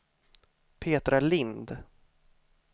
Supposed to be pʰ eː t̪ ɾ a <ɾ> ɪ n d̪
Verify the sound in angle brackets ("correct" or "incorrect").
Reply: incorrect